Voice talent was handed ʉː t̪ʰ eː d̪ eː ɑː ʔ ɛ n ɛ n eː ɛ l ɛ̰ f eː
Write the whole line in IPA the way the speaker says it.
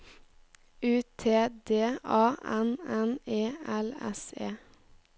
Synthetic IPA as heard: ʉː t̪ʰ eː d̪ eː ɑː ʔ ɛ n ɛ n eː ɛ l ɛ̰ s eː